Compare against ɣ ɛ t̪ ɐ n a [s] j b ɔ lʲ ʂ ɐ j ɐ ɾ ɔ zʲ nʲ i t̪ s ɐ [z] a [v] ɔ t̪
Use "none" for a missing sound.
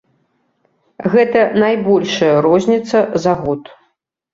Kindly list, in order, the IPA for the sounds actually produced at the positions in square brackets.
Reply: none, z, ɣ

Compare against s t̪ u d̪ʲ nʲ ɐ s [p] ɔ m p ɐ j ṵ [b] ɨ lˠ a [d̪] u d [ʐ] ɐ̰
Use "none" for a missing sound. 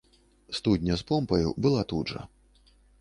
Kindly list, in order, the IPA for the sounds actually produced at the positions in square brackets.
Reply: p, b, t̪, ʐ

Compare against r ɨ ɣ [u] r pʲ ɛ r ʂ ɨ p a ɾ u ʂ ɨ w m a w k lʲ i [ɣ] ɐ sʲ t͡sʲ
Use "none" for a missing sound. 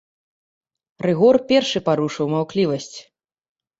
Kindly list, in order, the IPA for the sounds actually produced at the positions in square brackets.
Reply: ɔ, v

